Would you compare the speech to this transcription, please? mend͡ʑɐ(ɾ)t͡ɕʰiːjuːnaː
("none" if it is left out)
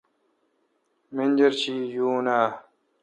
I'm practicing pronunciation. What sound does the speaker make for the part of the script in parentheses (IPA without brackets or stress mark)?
ɾ